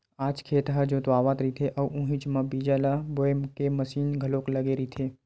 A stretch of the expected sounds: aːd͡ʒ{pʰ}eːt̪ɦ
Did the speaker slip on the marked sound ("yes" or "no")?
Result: yes